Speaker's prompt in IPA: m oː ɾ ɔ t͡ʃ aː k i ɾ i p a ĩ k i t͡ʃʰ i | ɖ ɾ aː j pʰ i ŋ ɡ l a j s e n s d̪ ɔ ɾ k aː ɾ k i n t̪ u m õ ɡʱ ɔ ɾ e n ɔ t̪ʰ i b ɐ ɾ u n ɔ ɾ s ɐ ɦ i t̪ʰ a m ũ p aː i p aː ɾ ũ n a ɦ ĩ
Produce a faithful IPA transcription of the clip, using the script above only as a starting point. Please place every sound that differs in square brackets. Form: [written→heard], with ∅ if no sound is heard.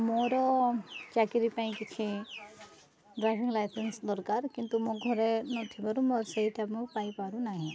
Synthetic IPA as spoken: m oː ɾ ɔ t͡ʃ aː k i ɾ i p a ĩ k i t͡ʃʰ i | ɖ ɾ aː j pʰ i ŋ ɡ l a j s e n s d̪ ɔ ɾ k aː ɾ k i n t̪ u m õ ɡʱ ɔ ɾ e n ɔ t̪ʰ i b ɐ ɾ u [n→m] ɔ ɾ s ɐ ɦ i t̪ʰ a m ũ p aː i p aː ɾ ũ n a ɦ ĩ